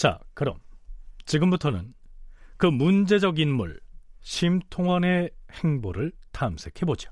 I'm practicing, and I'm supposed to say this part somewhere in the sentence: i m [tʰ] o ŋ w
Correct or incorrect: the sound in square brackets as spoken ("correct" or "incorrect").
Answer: correct